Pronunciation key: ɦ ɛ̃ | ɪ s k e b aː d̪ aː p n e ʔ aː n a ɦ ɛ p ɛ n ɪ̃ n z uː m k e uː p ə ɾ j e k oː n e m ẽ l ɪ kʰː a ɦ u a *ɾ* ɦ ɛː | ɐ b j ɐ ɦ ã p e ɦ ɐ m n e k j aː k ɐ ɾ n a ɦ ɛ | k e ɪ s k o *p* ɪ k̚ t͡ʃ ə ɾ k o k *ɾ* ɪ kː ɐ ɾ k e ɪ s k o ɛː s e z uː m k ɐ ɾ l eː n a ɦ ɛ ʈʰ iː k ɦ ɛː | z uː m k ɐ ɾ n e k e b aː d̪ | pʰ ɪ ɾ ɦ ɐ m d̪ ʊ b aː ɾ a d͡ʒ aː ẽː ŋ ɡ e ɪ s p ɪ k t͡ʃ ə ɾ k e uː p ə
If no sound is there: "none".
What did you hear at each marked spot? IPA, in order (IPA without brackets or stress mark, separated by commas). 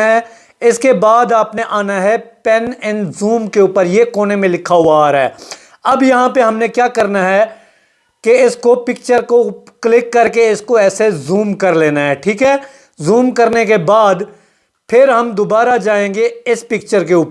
ɾ, p, l